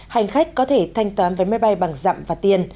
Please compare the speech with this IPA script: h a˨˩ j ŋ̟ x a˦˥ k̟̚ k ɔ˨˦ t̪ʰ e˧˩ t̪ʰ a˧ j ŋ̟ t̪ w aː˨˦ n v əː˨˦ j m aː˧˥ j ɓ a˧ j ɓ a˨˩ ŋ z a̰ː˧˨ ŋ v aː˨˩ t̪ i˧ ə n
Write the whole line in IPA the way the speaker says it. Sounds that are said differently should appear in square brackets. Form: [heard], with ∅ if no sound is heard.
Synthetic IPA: h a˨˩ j ŋ̟ x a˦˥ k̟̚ k ɔ˨˦ t̪ʰ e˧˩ t̪ʰ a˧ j ŋ̟ t̪ w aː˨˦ n v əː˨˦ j m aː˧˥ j ɓ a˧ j ɓ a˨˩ ŋ z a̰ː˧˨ [m] v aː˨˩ t̪ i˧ ə n